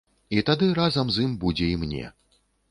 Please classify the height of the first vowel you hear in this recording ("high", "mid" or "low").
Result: high